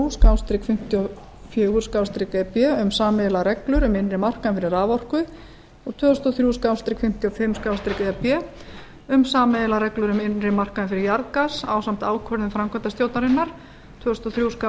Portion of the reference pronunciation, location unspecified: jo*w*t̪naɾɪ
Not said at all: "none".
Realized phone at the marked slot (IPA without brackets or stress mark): w